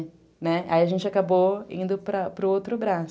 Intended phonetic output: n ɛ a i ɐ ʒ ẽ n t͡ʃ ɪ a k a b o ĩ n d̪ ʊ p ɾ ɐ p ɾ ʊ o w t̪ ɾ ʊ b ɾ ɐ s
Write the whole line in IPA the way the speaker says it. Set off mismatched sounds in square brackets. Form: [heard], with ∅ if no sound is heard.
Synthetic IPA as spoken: n ɛ a i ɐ ʒ ẽ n t͡ʃ ɪ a k a b o ĩ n d̪ ʊ p ɾ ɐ p ɾ ʊ o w t̪ ɾ ʊ b ɾ [a] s